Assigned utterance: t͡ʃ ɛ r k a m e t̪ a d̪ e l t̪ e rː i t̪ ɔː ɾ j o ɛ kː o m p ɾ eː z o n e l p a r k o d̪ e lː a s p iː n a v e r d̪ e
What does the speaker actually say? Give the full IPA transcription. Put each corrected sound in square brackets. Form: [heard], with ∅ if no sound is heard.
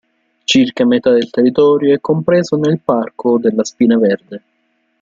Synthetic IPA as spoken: t͡ʃ [i] r k a m e t̪ a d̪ e l t̪ e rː i t̪ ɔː ɾ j o ɛ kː o m p ɾ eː z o n e l p a r k o d̪ e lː a s p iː n a v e r d̪ e